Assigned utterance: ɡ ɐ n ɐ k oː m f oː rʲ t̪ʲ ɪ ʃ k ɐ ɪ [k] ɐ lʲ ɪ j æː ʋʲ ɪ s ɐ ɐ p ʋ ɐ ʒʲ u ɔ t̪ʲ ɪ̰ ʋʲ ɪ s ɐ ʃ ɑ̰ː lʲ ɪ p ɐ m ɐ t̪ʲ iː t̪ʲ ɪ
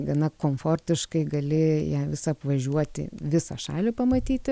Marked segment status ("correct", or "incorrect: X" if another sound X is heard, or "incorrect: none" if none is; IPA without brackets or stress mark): incorrect: ɡ